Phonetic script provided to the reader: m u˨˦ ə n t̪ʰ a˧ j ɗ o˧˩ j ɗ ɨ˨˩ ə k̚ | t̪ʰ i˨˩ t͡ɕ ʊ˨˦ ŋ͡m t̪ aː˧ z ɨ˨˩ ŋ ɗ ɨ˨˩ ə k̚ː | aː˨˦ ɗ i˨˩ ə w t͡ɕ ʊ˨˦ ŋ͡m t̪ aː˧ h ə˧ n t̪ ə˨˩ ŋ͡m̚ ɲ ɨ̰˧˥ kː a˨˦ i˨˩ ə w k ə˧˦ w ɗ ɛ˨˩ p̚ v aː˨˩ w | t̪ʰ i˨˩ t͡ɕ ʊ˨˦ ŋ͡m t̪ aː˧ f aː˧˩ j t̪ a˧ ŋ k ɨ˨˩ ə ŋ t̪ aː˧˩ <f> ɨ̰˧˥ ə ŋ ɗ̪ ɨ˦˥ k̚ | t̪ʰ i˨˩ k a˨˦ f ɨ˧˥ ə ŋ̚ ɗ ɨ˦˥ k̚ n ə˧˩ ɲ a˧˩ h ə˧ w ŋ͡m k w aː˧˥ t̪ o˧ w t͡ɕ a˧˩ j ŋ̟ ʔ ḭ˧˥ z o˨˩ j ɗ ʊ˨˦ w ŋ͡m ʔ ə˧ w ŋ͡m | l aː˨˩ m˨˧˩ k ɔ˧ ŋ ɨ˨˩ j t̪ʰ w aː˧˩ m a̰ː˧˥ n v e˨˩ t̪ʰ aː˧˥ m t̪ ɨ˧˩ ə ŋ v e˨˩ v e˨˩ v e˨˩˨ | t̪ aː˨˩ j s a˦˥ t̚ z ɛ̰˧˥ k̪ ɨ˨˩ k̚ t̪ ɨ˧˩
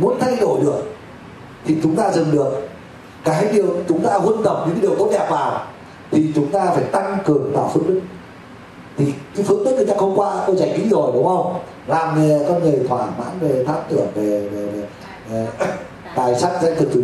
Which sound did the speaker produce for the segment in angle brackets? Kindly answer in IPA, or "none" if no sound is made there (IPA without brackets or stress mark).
f